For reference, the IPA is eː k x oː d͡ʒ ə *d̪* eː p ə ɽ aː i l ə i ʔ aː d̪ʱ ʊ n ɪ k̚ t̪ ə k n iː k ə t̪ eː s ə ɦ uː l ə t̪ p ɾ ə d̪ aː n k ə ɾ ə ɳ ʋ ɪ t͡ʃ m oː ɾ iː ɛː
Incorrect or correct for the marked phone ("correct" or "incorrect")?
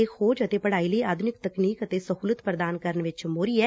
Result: incorrect